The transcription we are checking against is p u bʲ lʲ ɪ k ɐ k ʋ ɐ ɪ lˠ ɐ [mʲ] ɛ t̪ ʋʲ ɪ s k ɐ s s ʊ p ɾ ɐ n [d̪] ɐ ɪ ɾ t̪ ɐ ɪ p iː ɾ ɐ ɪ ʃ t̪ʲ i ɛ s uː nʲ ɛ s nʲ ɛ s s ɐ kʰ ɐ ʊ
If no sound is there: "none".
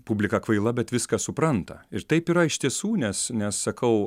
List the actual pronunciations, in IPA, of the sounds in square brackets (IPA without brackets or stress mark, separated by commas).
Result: bʲ, t̪